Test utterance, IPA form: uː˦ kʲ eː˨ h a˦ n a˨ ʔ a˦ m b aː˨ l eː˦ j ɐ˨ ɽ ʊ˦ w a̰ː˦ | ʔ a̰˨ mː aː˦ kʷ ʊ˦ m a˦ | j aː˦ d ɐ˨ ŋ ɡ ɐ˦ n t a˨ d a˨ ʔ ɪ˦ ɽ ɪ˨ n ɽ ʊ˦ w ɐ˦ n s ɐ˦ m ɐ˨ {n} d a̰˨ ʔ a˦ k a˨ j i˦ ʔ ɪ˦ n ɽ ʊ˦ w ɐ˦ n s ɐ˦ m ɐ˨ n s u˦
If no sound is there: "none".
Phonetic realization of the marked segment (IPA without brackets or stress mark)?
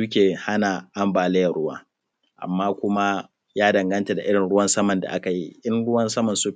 n